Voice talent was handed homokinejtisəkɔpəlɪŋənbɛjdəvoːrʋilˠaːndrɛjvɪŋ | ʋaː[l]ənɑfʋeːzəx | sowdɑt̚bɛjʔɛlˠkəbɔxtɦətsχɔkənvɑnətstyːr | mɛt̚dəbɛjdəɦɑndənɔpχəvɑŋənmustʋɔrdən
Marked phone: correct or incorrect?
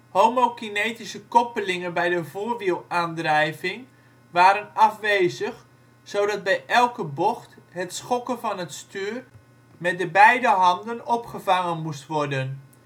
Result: incorrect